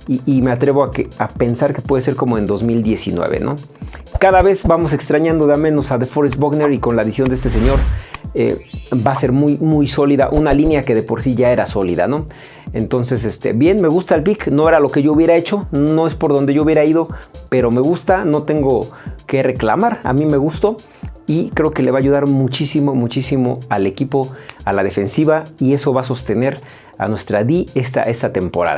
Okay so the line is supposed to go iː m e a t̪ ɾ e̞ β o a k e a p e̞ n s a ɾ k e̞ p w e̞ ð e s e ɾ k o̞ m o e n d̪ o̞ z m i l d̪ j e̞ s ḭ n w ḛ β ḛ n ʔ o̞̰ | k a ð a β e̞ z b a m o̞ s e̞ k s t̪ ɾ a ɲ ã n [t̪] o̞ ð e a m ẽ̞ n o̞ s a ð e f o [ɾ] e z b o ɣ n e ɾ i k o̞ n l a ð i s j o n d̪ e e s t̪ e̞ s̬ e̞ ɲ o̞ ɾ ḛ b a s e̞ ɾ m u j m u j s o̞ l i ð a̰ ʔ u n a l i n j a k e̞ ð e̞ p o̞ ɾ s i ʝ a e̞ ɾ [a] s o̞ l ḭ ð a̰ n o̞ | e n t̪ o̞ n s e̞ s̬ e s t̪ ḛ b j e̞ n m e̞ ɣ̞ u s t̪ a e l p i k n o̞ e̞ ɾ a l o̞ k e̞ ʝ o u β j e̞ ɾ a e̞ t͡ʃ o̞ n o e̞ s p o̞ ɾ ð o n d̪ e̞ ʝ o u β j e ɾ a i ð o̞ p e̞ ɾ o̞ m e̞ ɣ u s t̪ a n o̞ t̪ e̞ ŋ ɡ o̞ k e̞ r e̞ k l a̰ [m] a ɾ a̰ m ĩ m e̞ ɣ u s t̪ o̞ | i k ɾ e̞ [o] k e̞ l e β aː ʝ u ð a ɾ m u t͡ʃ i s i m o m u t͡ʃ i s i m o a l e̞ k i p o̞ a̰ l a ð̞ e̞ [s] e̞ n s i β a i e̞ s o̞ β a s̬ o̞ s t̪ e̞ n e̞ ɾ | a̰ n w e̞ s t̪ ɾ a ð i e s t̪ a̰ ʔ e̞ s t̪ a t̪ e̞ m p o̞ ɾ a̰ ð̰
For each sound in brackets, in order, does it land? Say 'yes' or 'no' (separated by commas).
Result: no, yes, yes, yes, yes, no